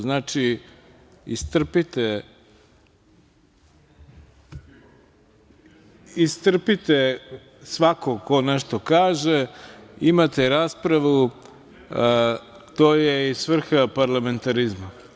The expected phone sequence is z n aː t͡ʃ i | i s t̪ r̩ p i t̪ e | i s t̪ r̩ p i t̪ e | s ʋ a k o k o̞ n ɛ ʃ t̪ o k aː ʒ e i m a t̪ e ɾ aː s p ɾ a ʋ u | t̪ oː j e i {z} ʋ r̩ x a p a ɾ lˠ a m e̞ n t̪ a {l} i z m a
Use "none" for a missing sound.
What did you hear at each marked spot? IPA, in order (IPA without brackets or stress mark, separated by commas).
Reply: s, ɾ